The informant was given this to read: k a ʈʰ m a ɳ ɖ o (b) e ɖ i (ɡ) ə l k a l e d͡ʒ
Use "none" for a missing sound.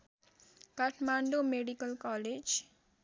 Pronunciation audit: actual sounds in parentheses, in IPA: m, k

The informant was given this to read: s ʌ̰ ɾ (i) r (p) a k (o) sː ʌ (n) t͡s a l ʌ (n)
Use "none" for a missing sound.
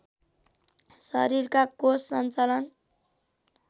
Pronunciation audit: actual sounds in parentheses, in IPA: i, k, o, n, n

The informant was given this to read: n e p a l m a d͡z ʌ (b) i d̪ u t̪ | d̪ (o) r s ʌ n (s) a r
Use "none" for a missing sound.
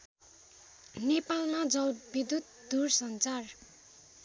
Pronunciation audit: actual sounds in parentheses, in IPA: b, u, t͡s

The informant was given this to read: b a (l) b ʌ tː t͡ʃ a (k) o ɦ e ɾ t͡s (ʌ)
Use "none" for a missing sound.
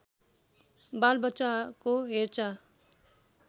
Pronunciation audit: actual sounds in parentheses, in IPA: l, k, a

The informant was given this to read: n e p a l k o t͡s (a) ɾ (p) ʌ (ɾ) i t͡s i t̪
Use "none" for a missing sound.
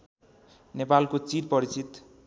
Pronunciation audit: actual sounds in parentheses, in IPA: i, p, ɾ

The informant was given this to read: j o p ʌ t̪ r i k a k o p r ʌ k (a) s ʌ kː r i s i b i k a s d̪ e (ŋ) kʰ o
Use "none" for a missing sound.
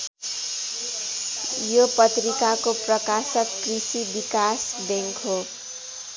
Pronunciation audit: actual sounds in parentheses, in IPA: a, ŋ

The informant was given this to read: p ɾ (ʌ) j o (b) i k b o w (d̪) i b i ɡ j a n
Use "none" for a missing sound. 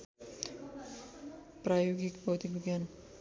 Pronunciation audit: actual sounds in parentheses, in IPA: a, ɡ, t̪

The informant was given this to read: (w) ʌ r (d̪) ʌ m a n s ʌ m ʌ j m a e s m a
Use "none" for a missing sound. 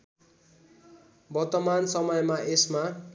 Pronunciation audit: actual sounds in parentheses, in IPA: b, t̪

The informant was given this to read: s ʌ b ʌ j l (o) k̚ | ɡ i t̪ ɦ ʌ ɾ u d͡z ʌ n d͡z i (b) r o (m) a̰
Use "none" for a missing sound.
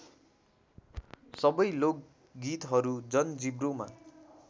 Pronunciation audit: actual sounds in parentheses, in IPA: o, b, m

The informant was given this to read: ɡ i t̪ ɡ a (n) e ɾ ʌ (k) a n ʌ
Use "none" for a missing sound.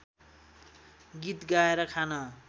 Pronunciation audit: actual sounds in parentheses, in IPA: none, kʰ

